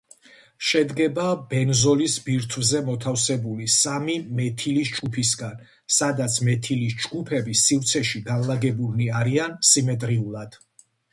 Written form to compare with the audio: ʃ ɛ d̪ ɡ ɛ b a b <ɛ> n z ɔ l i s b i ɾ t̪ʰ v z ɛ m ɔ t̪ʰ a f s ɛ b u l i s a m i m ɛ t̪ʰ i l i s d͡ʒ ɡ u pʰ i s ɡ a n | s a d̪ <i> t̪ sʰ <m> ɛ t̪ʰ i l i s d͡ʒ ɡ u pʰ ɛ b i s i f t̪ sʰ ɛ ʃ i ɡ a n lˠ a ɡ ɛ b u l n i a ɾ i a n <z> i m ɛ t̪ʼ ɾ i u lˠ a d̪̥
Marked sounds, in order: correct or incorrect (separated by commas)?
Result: correct, incorrect, correct, incorrect